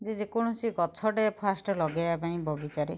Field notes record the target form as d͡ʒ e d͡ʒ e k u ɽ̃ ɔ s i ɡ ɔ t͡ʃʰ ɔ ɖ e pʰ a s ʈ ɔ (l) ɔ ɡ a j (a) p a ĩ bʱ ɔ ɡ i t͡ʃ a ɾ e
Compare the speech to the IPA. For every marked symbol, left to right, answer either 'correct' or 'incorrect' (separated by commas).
correct, correct